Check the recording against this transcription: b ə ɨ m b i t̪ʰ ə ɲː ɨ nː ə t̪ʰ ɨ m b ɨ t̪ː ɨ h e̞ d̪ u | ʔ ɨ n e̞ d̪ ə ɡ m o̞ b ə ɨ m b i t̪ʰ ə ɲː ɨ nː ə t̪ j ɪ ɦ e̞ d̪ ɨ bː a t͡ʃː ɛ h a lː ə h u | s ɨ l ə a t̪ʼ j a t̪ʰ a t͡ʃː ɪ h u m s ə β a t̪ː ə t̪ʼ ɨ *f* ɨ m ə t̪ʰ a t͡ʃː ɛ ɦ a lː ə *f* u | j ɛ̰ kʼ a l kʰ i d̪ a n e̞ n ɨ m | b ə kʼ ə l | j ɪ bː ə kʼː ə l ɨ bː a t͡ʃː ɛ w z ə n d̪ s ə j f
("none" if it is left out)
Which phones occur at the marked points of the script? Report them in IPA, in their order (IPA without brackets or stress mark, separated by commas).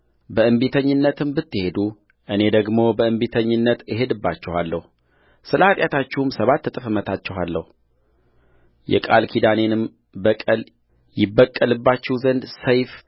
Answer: f, h